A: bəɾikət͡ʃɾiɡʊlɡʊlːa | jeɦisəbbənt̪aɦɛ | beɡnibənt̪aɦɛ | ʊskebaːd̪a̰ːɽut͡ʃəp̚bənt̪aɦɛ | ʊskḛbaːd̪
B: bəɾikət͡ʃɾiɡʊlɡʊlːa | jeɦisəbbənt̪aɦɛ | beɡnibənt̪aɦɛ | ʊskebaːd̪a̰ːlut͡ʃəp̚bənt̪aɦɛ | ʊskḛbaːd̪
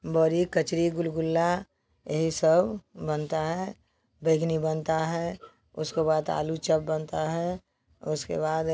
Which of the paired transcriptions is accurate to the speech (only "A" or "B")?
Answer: B